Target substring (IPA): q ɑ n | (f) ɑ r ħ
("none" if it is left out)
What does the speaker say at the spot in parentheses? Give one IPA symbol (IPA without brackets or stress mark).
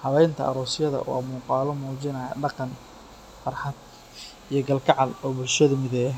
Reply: f